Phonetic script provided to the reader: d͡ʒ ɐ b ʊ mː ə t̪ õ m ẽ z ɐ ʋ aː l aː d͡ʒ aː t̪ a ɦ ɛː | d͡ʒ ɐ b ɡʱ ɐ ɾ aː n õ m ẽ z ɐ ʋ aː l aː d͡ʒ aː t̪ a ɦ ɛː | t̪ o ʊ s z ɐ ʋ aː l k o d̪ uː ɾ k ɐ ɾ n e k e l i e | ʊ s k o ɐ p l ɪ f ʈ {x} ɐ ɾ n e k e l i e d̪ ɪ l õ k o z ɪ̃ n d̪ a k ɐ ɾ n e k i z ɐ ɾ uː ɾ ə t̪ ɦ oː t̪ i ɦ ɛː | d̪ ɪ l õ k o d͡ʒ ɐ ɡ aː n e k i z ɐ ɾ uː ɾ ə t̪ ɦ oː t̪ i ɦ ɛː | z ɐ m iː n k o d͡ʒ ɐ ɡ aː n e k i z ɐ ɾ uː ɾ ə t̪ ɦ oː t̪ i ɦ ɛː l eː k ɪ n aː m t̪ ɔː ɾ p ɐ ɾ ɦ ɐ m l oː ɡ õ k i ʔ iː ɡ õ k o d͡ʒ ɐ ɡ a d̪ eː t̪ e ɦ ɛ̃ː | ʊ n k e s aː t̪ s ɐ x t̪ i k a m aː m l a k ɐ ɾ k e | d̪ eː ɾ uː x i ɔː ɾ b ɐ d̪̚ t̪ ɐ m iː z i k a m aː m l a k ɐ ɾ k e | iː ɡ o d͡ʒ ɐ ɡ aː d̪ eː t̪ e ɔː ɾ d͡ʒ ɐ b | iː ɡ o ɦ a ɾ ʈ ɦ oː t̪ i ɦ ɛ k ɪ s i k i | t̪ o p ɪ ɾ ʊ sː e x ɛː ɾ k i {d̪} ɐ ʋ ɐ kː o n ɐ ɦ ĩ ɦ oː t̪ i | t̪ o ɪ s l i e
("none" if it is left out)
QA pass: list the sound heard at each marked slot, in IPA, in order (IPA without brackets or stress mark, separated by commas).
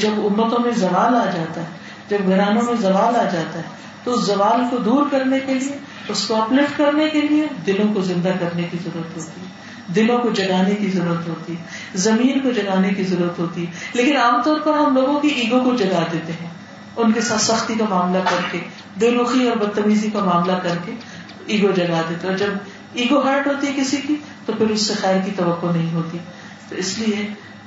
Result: k, t̪